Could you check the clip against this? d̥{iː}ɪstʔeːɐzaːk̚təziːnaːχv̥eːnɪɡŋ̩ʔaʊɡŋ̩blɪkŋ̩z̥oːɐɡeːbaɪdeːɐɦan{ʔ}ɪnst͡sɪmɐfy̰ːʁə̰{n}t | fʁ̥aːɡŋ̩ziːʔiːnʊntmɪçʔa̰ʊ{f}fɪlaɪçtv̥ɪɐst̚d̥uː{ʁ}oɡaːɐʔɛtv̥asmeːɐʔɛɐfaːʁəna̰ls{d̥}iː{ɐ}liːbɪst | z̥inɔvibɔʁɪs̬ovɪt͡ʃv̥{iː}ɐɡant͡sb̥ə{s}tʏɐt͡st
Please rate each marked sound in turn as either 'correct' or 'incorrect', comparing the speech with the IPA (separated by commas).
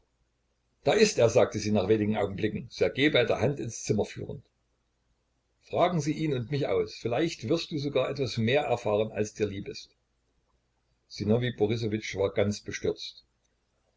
incorrect, incorrect, correct, incorrect, incorrect, correct, correct, incorrect, incorrect